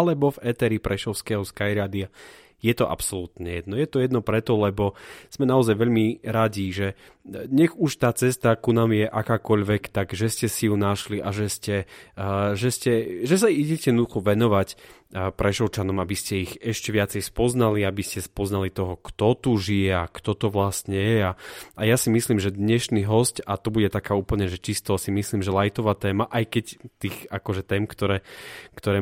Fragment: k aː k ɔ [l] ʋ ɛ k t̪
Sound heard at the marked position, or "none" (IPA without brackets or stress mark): ʎ